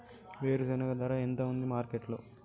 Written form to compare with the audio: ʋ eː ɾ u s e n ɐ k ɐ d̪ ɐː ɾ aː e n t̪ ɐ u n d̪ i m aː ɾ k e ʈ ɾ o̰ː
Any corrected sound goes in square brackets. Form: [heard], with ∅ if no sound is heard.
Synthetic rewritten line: ʋ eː ɾ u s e n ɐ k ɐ d̪ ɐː ɾ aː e n t̪ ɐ u n d̪ i m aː ɾ k e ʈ [l] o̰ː